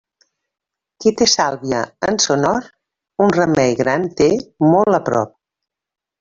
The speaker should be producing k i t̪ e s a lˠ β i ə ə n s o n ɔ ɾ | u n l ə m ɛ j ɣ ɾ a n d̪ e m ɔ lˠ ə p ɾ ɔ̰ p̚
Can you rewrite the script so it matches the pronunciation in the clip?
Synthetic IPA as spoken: k i t̪ e s a lˠ β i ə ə n s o n ɔ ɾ | u n r ə m ɛ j ɣ ɾ a n t̪ e m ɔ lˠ ə p ɾ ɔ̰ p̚